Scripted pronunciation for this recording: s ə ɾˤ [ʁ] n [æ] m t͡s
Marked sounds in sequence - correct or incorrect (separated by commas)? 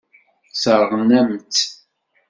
correct, correct